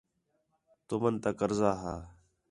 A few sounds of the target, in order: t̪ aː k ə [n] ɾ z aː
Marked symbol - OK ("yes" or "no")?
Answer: no